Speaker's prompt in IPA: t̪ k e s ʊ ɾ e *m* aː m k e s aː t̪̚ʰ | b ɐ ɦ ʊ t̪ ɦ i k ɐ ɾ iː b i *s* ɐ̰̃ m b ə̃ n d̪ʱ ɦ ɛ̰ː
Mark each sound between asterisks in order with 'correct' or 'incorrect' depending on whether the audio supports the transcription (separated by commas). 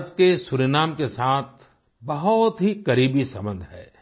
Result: incorrect, correct